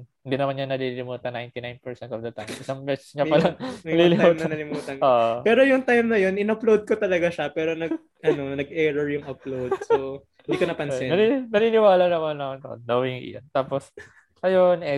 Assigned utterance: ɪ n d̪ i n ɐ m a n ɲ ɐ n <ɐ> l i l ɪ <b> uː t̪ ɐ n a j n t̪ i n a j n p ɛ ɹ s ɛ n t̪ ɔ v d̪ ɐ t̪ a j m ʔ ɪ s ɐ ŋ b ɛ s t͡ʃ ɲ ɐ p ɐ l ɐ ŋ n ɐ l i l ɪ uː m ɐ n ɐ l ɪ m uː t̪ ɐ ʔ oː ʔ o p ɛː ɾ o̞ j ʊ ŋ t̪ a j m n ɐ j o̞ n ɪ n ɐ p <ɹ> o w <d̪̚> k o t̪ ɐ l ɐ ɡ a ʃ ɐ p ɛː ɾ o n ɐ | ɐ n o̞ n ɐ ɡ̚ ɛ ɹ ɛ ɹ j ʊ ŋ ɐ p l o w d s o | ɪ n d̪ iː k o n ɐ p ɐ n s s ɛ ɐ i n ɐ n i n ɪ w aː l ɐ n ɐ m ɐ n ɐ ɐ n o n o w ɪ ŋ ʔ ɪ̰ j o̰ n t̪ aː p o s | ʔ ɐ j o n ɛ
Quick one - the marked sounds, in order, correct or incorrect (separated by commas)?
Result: correct, incorrect, incorrect, correct